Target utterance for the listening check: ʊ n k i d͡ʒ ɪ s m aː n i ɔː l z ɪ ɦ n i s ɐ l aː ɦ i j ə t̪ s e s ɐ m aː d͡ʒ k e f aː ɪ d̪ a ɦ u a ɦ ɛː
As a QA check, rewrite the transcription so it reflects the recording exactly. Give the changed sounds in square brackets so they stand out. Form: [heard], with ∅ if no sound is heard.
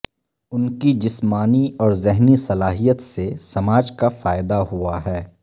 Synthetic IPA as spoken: ʊ n k i d͡ʒ ɪ s m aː n i ɔː [ɾ] z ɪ ɦ n i s ɐ l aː ɦ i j ə t̪ s e s ɐ m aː d͡ʒ k [a] f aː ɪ d̪ a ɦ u a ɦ ɛː

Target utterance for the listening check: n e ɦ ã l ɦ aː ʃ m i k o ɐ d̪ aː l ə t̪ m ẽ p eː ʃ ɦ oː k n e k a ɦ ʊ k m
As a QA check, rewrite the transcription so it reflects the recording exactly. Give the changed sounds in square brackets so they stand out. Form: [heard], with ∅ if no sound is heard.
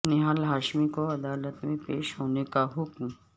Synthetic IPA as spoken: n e ɦ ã l ɦ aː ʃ m i k o ɐ d̪ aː l ə t̪ m ẽ p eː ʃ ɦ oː [∅] n e k a ɦ ʊ k m

